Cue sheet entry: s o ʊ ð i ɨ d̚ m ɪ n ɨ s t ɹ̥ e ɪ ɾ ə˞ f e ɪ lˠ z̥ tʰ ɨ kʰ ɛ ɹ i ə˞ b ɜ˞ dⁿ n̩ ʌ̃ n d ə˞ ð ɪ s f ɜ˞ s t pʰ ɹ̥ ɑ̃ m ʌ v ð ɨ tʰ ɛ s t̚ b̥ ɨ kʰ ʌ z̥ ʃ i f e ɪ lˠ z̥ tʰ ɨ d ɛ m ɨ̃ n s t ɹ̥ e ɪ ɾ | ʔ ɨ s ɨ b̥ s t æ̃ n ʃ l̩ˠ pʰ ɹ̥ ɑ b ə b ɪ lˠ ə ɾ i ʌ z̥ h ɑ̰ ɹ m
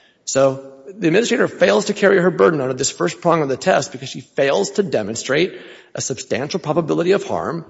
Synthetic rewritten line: s o ʊ ð i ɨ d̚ m ɪ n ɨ s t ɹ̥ e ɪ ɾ ə˞ f e ɪ lˠ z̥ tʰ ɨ kʰ ɛ ɹ i ə˞ b ɜ˞ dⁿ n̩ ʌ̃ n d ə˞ ð ɪ s f ɜ˞ s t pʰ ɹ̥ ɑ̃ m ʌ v ð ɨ tʰ ɛ s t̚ b̥ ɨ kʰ ʌ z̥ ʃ i f e ɪ lˠ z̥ tʰ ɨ d ɛ m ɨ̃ n s t ɹ̥ e ɪ ɾ | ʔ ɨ s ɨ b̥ s t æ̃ n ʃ l̩ˠ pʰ ɹ̥ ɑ b ə b ɪ lˠ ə ɾ i ʌ v̥ h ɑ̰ ɹ m